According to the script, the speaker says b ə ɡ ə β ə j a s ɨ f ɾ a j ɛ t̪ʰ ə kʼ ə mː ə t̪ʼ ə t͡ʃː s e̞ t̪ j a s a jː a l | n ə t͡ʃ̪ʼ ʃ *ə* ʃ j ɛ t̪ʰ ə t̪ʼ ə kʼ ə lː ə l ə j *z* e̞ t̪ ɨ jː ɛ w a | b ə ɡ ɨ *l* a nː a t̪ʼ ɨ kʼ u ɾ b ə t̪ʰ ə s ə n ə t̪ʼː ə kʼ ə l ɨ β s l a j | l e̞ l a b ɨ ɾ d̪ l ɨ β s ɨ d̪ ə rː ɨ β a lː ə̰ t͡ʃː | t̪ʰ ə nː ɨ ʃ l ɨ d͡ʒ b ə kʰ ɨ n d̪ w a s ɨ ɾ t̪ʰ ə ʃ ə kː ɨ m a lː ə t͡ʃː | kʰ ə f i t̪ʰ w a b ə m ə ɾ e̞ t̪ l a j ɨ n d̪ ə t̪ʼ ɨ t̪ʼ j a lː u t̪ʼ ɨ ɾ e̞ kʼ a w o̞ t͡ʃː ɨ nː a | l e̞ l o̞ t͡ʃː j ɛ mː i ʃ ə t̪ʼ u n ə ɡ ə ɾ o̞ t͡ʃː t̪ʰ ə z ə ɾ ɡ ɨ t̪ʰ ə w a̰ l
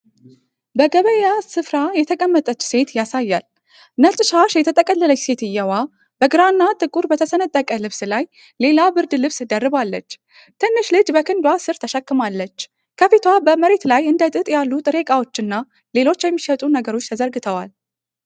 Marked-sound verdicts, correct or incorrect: incorrect: a, incorrect: s, incorrect: ɾ

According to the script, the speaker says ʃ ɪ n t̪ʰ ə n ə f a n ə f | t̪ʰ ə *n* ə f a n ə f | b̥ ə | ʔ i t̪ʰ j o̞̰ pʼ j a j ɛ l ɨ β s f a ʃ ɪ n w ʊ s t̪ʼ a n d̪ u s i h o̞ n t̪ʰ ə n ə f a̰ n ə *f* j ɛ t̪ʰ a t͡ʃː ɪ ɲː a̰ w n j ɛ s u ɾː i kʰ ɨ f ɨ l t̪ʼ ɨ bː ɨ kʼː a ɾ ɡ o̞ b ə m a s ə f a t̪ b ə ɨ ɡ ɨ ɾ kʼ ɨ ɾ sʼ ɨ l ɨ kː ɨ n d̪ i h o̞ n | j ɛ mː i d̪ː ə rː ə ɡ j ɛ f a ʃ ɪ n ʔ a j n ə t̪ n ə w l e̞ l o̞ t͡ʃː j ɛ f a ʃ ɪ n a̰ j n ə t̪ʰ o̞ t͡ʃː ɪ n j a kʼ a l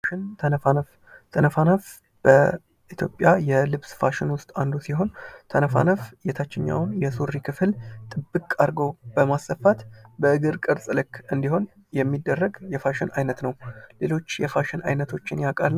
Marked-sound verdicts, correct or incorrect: correct, correct

